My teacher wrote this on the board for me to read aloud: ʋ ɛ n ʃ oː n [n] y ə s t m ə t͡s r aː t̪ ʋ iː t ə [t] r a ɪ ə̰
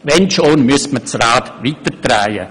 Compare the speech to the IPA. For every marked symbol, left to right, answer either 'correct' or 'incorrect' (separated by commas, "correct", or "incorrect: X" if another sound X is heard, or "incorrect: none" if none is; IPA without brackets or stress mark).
incorrect: m, correct